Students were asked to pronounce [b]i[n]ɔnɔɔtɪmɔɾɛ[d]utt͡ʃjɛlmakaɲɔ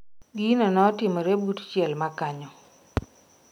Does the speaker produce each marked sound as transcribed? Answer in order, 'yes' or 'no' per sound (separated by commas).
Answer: no, yes, no